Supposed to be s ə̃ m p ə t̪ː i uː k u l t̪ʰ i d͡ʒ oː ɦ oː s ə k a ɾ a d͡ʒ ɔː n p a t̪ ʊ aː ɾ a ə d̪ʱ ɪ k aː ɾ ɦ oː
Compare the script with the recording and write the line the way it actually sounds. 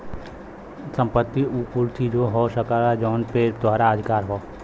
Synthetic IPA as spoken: s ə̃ m p ə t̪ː i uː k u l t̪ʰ i d͡ʒ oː ɦ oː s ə k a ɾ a d͡ʒ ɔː n p e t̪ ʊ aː ɾ a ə d̪ʱ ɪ k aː ɾ ɦ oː